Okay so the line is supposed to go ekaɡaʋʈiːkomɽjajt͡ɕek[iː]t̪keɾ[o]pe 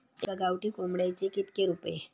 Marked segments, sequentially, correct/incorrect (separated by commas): incorrect, incorrect